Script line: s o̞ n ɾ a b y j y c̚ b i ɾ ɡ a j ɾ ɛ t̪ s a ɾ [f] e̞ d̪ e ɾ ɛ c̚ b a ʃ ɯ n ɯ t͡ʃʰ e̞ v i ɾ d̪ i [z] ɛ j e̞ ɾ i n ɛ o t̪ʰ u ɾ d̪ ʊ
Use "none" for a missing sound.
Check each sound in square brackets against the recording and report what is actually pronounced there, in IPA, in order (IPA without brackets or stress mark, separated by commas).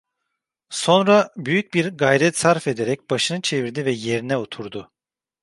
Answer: f, v